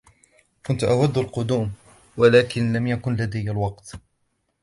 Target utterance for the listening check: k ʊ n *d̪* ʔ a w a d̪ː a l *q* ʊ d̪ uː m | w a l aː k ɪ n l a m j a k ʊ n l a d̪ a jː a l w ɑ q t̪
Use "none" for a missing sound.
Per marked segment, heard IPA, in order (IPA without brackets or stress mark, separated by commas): t̪, q